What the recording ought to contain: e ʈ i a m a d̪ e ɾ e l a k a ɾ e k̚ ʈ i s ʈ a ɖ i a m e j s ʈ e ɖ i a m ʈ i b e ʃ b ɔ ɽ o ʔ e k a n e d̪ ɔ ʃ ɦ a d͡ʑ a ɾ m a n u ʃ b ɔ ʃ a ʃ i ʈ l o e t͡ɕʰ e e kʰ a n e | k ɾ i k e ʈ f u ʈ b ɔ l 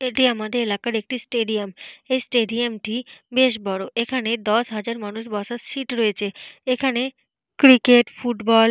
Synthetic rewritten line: e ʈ i a m a d̪ e ɾ e l a k a ɾ e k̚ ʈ i s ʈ e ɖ i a m e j s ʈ e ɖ i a m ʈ i b e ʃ b ɔ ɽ o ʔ e kʰ a n e d̪ ɔ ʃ ɦ a d͡ʑ a ɾ m a n u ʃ b ɔ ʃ a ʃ i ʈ ɾ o e t͡ɕʰ e e kʰ a n e | k ɾ i k e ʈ f u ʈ b ɔ l

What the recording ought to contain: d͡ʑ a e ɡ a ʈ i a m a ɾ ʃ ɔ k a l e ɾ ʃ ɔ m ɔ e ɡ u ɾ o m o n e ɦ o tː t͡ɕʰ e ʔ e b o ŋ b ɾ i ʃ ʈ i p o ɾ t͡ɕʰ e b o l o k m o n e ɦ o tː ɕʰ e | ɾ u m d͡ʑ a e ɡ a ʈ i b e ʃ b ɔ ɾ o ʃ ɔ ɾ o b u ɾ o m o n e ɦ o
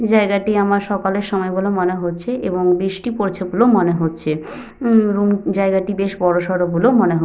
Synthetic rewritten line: d͡ʑ a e ɡ a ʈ i a m a ɾ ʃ ɔ k a l e ɾ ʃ ɔ m ɔ e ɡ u l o m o n e ɦ o tː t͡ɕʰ e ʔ e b o ŋ b ɾ i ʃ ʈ i p o ɾ t͡ɕʰ e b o l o m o n e ɦ o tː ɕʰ e | ɾ u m d͡ʑ a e ɡ a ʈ i b e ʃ b ɔ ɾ o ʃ ɔ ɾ o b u l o m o n e ɦ o

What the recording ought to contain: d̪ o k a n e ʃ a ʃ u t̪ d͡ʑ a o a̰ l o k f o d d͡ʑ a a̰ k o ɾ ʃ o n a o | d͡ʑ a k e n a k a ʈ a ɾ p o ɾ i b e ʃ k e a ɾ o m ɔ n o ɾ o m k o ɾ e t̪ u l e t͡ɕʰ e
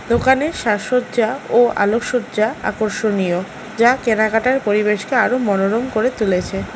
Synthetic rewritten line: d̪ o k a n e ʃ a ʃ o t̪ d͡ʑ a o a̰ l o k ʃ o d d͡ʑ a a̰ k o ɾ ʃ o n i o | d͡ʑ a k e n a k a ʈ a ɾ p o ɾ i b e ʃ k e a ɾ o m ɔ n o ɾ o m k o ɾ e t̪ u l e t͡ɕʰ e

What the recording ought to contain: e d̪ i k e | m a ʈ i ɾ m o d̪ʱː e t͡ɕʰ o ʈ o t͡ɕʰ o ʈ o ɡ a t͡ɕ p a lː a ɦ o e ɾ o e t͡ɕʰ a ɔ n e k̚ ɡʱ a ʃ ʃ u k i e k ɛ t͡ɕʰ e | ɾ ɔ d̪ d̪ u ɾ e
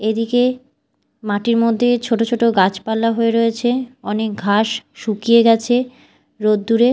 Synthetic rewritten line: e d̪ i k e | m a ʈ i ɾ m o d̪ʱː e t͡ɕʰ o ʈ o t͡ɕʰ o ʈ o ɡ a t͡ɕ p a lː a ɦ o e ɾ o e t͡ɕʰ e ɔ n e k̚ ɡʱ a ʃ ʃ u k i e ɡ ɛ t͡ɕʰ e | ɾ o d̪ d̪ u ɾ e

